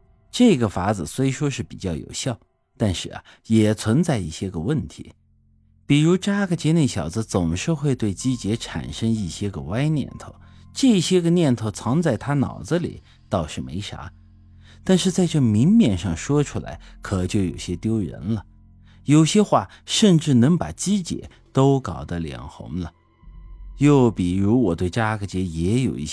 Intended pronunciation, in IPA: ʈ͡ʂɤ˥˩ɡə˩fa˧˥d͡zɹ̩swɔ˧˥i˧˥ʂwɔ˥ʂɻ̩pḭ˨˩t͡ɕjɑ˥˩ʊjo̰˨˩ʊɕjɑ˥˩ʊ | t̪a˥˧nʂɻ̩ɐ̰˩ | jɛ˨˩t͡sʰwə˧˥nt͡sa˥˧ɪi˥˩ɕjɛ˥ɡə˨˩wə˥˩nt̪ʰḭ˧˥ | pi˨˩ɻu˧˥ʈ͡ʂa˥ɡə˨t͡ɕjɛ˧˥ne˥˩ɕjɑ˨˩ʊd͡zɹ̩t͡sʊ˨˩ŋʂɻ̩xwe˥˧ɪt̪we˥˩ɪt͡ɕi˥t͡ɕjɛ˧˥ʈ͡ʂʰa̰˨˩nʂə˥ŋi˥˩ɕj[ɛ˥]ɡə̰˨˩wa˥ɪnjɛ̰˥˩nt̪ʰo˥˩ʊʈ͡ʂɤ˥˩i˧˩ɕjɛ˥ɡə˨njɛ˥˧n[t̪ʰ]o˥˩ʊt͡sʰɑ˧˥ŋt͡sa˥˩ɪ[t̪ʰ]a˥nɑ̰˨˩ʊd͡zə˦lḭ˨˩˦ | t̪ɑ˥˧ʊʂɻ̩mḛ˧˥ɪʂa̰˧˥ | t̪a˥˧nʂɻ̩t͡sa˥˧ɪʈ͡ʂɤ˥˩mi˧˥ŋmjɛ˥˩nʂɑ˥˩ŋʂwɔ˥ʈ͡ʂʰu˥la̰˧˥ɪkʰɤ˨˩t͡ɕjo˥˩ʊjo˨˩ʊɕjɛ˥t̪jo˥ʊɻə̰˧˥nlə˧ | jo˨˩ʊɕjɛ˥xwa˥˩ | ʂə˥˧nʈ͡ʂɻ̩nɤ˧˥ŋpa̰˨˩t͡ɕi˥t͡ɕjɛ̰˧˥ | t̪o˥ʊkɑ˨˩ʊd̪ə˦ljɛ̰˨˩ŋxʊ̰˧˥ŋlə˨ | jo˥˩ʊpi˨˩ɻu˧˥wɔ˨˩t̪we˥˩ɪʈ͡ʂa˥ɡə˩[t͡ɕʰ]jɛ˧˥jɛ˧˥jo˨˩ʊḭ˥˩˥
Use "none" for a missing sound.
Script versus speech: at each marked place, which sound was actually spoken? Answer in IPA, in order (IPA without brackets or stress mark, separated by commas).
ɛ˥, t̪ʰ, t̪ʰ, t͡ɕ